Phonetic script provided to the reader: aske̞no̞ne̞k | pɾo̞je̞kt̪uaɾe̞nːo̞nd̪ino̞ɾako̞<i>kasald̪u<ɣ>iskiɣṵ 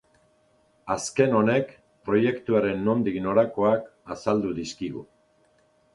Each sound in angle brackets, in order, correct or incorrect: incorrect, incorrect

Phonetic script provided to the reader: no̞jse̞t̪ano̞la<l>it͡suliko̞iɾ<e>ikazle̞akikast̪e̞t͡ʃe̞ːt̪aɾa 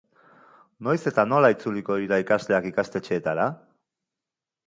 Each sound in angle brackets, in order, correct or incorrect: incorrect, incorrect

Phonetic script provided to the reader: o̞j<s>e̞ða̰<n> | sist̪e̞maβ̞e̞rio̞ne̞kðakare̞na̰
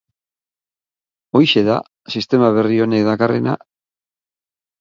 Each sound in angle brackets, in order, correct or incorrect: incorrect, incorrect

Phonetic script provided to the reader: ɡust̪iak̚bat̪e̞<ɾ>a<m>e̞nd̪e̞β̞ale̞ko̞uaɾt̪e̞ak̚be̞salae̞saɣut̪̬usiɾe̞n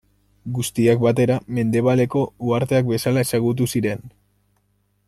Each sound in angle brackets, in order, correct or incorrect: correct, correct

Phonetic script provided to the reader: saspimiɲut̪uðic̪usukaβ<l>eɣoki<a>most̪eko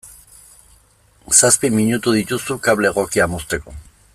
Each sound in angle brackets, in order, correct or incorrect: correct, correct

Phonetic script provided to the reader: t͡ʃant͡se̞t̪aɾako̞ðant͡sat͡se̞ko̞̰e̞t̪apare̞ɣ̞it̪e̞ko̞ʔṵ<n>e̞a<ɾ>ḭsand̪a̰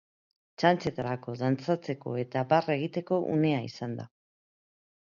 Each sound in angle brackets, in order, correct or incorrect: correct, incorrect

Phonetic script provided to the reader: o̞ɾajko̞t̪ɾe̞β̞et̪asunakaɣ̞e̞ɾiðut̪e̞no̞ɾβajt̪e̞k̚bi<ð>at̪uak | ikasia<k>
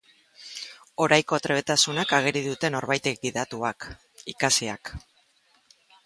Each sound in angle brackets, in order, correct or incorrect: correct, correct

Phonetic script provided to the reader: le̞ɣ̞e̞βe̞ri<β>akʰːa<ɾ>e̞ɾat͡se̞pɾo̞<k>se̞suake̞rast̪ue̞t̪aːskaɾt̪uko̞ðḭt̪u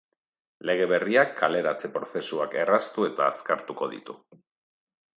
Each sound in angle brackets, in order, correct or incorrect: incorrect, incorrect, incorrect

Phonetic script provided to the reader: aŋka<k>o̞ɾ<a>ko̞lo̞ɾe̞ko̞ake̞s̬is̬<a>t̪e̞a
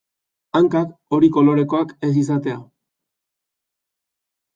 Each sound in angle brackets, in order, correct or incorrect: correct, incorrect, correct

